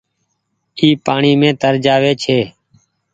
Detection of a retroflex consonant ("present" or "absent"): present